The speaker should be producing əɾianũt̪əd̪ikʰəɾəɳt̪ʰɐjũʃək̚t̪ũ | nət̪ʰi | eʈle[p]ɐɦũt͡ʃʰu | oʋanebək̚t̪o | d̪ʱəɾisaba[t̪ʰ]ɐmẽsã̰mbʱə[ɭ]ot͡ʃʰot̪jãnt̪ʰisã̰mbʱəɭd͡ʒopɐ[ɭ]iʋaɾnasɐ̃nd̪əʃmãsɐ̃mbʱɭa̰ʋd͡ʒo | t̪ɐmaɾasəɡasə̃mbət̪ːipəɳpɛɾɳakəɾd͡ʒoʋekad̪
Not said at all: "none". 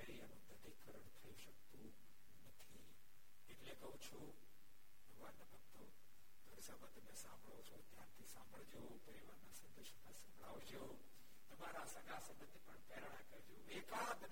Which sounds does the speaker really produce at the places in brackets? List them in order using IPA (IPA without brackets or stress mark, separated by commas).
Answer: k, t̪, ɭ, ɾ